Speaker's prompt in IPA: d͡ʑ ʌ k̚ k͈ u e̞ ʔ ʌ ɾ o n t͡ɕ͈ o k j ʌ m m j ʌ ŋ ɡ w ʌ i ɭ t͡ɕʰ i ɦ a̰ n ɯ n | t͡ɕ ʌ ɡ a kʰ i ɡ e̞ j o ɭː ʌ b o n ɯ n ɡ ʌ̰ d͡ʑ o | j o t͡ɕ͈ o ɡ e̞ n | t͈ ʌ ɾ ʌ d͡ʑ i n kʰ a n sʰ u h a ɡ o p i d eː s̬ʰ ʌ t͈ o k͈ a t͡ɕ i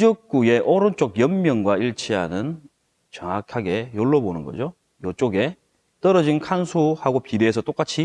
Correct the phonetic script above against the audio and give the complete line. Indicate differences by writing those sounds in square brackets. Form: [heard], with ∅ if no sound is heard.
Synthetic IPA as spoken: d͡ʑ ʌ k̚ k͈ u e̞ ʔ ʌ ɾ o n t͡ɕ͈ o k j ʌ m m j ʌ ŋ ɡ w [a] i ɭ t͡ɕʰ i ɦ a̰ n ɯ n | t͡ɕ ʌ [ŋ] a kʰ [a] ɡ e̞ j o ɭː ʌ b o n ɯ n ɡ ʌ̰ d͡ʑ o | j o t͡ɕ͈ o ɡ e̞ [∅] | t͈ ʌ ɾ ʌ d͡ʑ i n kʰ a n sʰ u h a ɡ o p i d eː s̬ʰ ʌ t͈ o k͈ a [t͡ɕʰ] i